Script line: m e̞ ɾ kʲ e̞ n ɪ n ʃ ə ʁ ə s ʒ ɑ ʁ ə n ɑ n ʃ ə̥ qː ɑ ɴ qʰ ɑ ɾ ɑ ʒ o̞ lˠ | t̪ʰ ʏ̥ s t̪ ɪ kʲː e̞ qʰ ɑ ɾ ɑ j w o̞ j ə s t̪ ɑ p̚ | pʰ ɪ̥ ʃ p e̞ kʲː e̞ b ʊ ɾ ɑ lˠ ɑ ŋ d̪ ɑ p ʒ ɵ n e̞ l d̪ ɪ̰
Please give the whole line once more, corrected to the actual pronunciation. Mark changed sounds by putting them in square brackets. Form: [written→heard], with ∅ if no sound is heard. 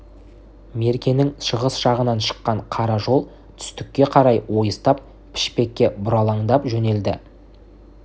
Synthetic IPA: m e̞ ɾ kʲ e̞ n ɪ [n→ŋ] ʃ ə ʁ ə s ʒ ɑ ʁ ə n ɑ n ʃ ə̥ qː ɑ ɴ qʰ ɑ ɾ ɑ ʒ o̞ lˠ | t̪ʰ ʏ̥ s t̪ ɪ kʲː e̞ qʰ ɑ ɾ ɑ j w o̞ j ə s t̪ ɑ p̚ | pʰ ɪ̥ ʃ p e̞ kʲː e̞ b ʊ ɾ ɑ lˠ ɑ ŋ d̪ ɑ p ʒ ɵ n e̞ l d̪ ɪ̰